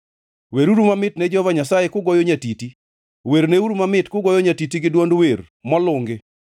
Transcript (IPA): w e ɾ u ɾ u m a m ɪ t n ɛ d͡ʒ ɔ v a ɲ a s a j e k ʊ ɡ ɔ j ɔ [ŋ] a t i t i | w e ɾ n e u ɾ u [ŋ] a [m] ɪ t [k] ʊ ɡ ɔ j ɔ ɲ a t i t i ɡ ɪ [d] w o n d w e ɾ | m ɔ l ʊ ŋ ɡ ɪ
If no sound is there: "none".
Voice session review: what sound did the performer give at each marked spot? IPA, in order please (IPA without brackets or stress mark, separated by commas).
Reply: ɲ, m, m, k, d